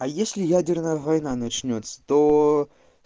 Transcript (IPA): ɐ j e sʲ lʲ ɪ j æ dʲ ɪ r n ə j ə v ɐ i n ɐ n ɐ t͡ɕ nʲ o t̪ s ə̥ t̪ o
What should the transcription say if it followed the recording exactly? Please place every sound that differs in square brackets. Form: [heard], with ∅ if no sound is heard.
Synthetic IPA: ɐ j e sʲ lʲ ɪ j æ dʲ ɪ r n ə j ə v ɐ [j] n [a] n ɐ t͡ɕ nʲ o t̪ s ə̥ t̪ o